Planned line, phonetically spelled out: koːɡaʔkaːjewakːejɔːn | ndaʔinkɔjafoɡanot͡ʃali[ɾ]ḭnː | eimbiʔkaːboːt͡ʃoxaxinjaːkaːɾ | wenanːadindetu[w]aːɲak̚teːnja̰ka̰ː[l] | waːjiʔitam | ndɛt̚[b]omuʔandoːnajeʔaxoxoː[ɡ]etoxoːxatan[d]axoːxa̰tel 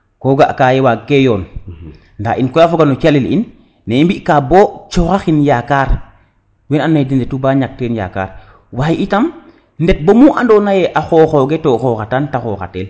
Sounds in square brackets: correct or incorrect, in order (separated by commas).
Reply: incorrect, incorrect, incorrect, correct, correct, incorrect